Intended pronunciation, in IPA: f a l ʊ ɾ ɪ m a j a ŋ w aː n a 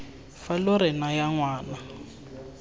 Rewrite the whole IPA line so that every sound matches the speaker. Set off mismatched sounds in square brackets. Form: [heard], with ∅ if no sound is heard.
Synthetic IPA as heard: f a l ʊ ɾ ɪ [n] a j a ŋ w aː n a